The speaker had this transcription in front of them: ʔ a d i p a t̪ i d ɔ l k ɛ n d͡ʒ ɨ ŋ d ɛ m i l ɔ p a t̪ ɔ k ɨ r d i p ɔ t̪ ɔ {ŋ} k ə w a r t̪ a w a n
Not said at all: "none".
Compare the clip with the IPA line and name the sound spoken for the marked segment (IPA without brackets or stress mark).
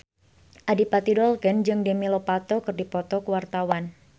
none